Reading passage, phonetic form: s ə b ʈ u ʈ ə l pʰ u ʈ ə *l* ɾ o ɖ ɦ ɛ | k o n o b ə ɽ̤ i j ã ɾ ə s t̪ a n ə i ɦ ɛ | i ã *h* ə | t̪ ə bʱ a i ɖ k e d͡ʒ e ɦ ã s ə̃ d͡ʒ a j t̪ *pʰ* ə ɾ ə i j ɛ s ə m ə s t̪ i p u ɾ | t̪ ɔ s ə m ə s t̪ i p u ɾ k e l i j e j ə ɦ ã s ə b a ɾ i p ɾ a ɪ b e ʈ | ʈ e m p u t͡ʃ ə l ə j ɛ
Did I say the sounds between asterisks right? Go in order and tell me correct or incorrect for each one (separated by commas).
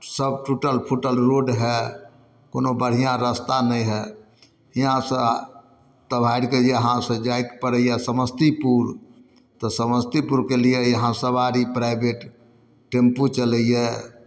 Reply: correct, incorrect, incorrect